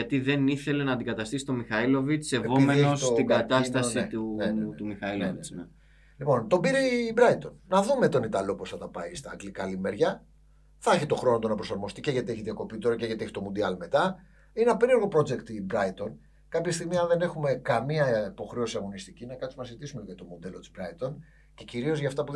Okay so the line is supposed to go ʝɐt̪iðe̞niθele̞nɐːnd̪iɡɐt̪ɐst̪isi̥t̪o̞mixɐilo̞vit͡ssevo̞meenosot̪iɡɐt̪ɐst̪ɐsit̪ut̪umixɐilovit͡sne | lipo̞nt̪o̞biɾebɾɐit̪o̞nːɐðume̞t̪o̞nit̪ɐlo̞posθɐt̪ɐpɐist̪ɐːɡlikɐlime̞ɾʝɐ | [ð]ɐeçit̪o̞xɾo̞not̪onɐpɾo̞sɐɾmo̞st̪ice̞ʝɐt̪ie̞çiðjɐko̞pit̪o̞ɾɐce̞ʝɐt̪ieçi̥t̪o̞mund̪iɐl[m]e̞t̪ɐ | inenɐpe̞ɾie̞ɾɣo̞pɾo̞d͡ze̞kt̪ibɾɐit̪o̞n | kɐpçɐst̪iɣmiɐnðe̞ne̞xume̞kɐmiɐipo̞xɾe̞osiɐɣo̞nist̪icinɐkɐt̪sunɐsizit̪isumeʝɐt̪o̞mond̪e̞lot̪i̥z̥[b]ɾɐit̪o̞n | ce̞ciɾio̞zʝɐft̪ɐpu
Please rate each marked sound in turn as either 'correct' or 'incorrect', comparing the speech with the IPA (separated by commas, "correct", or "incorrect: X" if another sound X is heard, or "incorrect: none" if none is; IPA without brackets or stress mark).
incorrect: θ, correct, correct